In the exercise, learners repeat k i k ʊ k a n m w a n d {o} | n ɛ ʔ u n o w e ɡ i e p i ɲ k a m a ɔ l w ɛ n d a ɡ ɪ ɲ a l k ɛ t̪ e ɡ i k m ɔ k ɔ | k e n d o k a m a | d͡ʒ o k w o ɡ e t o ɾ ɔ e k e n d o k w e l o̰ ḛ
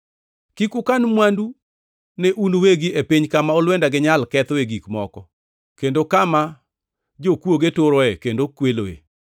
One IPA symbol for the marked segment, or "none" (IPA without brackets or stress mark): u